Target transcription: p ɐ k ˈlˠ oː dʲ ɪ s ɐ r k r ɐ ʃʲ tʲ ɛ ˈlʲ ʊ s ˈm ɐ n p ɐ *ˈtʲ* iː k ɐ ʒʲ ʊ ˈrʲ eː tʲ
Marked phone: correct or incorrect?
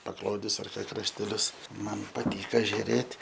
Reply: correct